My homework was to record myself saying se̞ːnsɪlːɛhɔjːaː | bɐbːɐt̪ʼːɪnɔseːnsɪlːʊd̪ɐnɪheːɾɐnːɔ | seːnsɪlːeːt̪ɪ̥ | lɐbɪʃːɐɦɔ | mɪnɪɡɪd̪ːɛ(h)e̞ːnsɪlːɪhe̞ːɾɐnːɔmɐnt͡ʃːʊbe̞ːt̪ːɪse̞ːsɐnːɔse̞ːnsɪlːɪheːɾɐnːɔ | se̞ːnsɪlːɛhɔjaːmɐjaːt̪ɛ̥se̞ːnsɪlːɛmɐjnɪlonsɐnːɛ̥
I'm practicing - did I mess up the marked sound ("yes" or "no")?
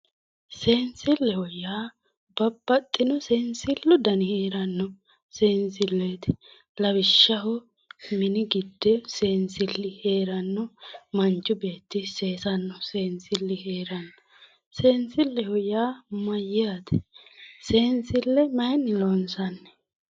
yes